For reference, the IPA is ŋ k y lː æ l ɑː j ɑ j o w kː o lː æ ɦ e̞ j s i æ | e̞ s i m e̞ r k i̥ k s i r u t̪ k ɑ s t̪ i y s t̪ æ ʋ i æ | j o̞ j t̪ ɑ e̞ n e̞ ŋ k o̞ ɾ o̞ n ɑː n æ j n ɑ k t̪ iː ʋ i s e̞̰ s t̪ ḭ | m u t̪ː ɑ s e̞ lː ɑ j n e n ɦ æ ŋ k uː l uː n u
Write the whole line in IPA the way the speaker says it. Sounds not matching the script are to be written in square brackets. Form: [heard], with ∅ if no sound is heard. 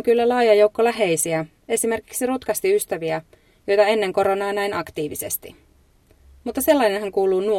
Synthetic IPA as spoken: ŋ k y lː æ l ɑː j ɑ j o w kː o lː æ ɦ e̞ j s i æ | e̞ s i m e̞ r k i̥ k s i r u t̪ k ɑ s t̪ i y s t̪ æ ʋ i æ | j o̞ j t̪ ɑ e̞ [nː] e̞ ŋ k o̞ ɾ o̞ n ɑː n æ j n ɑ k t̪ iː ʋ i s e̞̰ s t̪ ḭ | m u t̪ː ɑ s e̞ lː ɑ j n e n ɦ æ ŋ k uː l uː n u